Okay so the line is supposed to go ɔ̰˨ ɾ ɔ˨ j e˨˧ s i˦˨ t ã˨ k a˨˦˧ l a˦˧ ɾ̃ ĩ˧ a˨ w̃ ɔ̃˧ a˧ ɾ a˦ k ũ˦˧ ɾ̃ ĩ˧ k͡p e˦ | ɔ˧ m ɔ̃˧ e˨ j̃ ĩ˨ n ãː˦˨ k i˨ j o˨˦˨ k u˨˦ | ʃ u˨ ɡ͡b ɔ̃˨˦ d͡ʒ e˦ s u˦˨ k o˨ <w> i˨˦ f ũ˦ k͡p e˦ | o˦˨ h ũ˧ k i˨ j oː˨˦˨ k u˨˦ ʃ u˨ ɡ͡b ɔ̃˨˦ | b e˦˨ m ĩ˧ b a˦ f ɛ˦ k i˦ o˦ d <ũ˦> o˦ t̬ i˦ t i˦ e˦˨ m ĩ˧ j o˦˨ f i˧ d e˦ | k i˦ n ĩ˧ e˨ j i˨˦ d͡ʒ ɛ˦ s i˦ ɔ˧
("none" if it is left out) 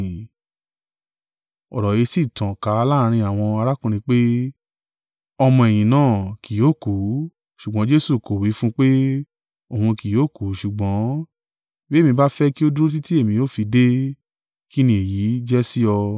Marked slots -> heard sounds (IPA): w, u˦

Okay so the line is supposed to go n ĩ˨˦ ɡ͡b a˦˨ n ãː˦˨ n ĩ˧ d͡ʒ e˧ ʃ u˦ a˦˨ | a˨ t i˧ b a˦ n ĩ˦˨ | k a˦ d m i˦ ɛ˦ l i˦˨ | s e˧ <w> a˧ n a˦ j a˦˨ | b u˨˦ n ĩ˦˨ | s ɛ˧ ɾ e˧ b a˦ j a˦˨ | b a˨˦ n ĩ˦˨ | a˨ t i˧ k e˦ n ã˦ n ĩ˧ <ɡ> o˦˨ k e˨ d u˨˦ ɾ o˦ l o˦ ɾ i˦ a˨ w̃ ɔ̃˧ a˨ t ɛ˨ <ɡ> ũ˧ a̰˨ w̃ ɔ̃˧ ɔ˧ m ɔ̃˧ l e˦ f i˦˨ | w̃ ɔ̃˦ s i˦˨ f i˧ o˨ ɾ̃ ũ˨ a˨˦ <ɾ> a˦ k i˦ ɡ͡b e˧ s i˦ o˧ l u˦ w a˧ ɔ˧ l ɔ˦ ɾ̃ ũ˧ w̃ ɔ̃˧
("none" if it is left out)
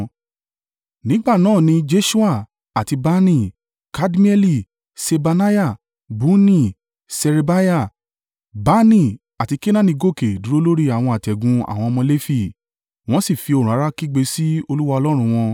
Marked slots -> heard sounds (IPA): b, ɡ, ɡ, ɾ

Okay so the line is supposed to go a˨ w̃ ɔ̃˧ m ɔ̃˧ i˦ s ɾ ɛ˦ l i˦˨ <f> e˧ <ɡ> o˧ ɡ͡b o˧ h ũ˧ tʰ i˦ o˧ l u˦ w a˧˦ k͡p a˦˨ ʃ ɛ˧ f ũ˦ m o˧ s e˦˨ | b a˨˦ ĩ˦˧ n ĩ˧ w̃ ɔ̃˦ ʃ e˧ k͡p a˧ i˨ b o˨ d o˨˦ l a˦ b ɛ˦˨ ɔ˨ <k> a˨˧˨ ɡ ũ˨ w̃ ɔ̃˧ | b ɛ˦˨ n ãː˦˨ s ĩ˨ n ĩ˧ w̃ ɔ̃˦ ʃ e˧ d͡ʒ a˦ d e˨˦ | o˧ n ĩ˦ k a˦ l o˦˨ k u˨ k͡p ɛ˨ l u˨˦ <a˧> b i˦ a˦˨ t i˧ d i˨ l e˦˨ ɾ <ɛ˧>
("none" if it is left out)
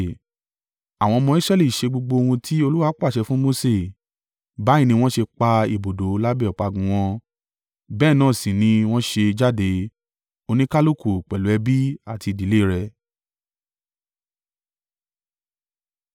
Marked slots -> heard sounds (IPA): ʃ, ɡ͡b, k͡p, ɛ˧, ɛ˧

